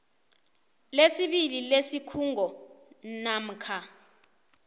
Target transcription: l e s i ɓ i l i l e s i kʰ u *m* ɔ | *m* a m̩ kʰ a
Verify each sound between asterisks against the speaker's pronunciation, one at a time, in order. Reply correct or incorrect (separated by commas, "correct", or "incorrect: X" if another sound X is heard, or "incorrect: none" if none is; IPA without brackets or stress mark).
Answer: incorrect: ŋ, incorrect: n